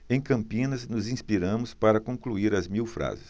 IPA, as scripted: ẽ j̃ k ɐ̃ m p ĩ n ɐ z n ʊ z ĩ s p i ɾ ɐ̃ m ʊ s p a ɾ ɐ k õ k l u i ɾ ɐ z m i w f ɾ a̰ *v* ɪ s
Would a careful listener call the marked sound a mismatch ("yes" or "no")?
yes